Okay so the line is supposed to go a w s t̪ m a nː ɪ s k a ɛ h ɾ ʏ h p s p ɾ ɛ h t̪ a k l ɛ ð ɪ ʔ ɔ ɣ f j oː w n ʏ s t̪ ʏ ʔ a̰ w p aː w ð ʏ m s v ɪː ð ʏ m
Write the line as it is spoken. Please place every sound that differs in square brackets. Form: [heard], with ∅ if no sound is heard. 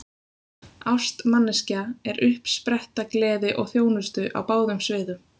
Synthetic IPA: a w s t̪ m a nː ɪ s [c] a ɛ [∅] ɾ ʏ h p s p ɾ ɛ h t̪ a k l [ɛː] ð ɪ ʔ ɔ ɣ [θ] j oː w n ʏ s t̪ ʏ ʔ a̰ w p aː w ð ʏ m s v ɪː ð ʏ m